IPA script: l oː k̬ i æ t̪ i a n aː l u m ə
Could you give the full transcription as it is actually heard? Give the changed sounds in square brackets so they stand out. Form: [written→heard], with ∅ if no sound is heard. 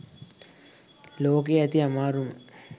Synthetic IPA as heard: l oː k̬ [i→e] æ t̪ i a [n→m] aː [l→ɾ] u m ə